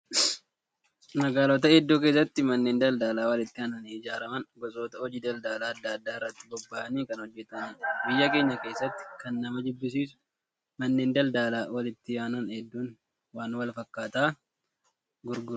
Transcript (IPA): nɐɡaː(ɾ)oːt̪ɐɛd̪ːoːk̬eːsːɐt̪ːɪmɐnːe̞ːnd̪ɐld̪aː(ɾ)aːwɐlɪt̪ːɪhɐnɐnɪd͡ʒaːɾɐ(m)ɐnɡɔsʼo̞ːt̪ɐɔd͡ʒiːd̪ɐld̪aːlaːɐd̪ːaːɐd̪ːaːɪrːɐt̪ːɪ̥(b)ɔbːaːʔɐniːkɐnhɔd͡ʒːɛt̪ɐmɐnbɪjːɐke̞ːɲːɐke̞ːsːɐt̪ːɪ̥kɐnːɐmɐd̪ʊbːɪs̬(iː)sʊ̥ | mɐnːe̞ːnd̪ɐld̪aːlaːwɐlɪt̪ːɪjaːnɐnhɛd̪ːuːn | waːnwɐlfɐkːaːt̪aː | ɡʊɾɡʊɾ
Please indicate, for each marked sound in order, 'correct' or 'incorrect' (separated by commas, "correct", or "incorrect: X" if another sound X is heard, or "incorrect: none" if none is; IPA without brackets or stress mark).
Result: incorrect: l, incorrect: l, correct, correct, correct